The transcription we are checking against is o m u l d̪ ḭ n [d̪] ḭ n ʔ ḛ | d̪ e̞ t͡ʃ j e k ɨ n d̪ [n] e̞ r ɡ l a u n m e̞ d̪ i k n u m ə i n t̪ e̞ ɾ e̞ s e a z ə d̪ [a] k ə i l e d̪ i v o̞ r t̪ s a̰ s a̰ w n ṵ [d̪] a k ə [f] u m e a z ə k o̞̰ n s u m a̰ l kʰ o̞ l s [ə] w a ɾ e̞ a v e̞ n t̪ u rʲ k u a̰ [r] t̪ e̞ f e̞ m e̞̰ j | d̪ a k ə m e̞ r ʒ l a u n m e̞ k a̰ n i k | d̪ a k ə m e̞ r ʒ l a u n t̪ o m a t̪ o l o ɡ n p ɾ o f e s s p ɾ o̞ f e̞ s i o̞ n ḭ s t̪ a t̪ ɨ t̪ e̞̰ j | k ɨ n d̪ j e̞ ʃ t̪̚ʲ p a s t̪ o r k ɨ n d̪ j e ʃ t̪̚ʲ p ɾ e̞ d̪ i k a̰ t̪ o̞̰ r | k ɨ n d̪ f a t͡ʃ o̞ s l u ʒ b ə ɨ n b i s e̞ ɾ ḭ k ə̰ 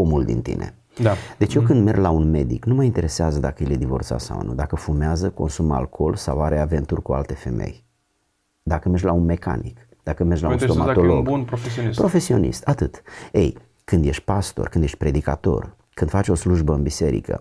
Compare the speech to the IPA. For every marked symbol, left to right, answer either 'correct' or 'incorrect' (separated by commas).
incorrect, incorrect, correct, correct, correct, incorrect, incorrect